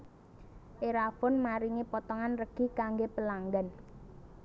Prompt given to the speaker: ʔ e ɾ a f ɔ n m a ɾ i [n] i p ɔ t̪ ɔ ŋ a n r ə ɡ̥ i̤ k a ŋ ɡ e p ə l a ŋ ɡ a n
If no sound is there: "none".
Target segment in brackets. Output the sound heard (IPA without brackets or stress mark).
ŋ